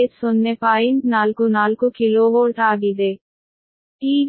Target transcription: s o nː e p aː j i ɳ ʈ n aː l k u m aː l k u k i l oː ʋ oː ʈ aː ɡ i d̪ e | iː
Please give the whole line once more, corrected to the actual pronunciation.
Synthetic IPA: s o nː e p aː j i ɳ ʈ n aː l k u n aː l k u k i l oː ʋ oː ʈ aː ɡ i d̪ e | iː